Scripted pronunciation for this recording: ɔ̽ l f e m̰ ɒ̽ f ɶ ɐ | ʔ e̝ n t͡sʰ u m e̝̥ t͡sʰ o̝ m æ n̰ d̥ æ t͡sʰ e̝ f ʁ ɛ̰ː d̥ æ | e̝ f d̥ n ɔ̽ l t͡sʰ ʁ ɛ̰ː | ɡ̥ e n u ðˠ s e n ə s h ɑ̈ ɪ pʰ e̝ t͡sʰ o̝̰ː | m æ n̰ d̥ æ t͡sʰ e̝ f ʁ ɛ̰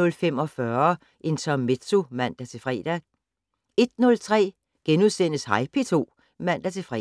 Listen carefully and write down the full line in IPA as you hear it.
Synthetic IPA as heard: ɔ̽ l f e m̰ ɒ̽ f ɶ ɐ | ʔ e̝ n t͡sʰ ɒ m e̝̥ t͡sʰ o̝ m æ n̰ d̥ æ t͡sʰ e̝ f ʁ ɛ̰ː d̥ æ | e̝ d̥ n ɔ̽ l t͡sʰ ʁ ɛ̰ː | ɡ̥ e n u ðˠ s e n ə s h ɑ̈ ɪ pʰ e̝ t͡sʰ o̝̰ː | m æ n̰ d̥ æ t͡sʰ e̝ f ʁ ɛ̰